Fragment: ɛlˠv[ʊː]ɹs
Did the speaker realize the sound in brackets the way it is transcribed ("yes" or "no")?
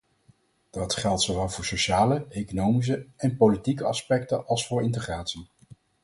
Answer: yes